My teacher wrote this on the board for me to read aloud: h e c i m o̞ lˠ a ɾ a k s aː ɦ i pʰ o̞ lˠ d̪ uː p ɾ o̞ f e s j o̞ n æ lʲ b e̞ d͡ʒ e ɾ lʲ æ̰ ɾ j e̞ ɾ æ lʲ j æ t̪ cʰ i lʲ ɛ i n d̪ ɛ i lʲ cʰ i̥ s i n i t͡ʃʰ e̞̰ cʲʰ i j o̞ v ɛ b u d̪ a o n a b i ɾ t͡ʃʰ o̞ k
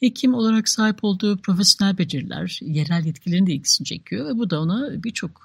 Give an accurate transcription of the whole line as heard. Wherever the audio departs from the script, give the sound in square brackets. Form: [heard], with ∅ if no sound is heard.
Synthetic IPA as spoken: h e [cʰ] i m o̞ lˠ a ɾ a k s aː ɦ i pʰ o̞ lˠ d̪ uː p ɾ o̞ f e s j o̞ n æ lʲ b e̞ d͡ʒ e ɾ lʲ æ̰ ɾ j e̞ ɾ æ lʲ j [ɛ] t̪ cʰ i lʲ [e] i n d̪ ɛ i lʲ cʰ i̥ s i n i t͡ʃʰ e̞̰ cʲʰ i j o̞ v ɛ b u d̪ a o n a b i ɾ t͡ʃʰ o̞ k